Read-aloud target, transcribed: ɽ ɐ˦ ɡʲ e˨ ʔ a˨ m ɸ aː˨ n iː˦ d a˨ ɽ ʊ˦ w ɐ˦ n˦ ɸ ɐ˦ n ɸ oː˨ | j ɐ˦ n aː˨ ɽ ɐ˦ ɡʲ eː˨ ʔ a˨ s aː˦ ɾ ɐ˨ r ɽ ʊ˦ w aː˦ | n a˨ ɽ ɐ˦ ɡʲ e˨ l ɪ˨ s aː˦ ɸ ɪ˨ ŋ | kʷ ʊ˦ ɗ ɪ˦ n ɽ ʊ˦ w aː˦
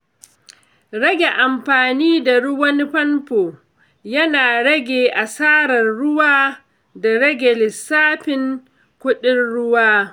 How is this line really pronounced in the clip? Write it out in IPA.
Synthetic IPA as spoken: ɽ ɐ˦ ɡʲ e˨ ʔ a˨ m ɸ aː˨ n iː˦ d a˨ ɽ ʊ˦ w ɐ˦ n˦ ɸ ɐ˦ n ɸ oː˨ | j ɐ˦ n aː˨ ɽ ɐ˦ ɡʲ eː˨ ʔ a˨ s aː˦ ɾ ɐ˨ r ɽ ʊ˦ w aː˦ | d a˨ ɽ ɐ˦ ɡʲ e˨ l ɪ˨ s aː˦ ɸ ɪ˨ ŋ | kʷ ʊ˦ ɗ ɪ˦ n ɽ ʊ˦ w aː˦